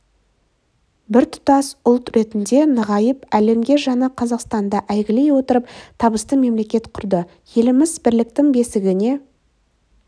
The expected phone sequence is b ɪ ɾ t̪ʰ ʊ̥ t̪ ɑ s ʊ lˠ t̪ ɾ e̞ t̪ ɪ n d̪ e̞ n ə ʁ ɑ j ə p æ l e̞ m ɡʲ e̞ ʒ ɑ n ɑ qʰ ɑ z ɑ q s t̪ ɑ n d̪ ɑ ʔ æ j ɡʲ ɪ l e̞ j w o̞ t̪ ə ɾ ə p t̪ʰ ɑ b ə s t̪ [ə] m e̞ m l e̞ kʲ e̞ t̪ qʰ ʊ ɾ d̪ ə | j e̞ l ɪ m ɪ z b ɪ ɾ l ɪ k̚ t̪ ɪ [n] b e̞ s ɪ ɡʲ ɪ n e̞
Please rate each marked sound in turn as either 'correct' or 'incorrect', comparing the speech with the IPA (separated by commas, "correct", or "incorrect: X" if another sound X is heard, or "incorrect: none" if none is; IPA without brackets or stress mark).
correct, incorrect: ŋ